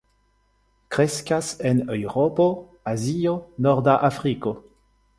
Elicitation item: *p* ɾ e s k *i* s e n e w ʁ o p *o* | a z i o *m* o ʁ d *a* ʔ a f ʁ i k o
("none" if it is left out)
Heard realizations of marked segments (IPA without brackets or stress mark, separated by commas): k, a, o, n, a